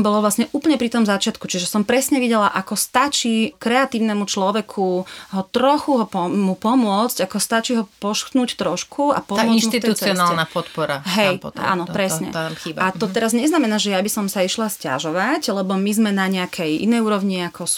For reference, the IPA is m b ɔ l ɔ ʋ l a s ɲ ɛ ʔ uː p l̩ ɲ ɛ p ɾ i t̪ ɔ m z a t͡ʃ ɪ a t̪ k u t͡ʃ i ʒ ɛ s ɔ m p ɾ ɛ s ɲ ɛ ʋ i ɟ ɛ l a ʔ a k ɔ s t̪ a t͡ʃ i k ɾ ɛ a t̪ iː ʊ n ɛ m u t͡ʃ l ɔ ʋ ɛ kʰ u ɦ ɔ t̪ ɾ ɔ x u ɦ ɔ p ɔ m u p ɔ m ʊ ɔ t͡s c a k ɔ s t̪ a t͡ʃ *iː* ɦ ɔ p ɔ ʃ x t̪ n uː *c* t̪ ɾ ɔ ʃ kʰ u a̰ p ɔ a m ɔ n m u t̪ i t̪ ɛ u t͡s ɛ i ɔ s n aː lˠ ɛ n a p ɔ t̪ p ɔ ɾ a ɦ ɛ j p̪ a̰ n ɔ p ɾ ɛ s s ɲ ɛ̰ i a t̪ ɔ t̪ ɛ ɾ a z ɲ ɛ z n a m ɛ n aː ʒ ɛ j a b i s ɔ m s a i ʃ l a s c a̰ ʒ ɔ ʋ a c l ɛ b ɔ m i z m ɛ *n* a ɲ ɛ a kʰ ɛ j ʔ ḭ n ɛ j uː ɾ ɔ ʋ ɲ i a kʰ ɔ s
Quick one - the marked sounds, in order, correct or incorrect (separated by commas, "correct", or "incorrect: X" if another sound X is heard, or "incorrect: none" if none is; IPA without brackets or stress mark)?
incorrect: i, correct, correct